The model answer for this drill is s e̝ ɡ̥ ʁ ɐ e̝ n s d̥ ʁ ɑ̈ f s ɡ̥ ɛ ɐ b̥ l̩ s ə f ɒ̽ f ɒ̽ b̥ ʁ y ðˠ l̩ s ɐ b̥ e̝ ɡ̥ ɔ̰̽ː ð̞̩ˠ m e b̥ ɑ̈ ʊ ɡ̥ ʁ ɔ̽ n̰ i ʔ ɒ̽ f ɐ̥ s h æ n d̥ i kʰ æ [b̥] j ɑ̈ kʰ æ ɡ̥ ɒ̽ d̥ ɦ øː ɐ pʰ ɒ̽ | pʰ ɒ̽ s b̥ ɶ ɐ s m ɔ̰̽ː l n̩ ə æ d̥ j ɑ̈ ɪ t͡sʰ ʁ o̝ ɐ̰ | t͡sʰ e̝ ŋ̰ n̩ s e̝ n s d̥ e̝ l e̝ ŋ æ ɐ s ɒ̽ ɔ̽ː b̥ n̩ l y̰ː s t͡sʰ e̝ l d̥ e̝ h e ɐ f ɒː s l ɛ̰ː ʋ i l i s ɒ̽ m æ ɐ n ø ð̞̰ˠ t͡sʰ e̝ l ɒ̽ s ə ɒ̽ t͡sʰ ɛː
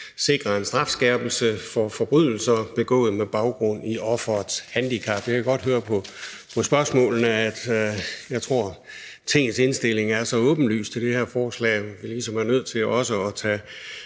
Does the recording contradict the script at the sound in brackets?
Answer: no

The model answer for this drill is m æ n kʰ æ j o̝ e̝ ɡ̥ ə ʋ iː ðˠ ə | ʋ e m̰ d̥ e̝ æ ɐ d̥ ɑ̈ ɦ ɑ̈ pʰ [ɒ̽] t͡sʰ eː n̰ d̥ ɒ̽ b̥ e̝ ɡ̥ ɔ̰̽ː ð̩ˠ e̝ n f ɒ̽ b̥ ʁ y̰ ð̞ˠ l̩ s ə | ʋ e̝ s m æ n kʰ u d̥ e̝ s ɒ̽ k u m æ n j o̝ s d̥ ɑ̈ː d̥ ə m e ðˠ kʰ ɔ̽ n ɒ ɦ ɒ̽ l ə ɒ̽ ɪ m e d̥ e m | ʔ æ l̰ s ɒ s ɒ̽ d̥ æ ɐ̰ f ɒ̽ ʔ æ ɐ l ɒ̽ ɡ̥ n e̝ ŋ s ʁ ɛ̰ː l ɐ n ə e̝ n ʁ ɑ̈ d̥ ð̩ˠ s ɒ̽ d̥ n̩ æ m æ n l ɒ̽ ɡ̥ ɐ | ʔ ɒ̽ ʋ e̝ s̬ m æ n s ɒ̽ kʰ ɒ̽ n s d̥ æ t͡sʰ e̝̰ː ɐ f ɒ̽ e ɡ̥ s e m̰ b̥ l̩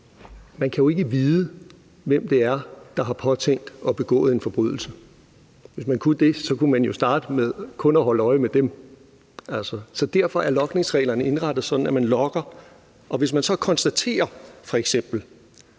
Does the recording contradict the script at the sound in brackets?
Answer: no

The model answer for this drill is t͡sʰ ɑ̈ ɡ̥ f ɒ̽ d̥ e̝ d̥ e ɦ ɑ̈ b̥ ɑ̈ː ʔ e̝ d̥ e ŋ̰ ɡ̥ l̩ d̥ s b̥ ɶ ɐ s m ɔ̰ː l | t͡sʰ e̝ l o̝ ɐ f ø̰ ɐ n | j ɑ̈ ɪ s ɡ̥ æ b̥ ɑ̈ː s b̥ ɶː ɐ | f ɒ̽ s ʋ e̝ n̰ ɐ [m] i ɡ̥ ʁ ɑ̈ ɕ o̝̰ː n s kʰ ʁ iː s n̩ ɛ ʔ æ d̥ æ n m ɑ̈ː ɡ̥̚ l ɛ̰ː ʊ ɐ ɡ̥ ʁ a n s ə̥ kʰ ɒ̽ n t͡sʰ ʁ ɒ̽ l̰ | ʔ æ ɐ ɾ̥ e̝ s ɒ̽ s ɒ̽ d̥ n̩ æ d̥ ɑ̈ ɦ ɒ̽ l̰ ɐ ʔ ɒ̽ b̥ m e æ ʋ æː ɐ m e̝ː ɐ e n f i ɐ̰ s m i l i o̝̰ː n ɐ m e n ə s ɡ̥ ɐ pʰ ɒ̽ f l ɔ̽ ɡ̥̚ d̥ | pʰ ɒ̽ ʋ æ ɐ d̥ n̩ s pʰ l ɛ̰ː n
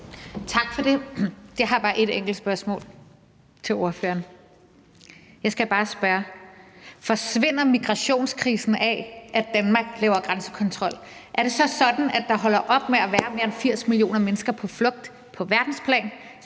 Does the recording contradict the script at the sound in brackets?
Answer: no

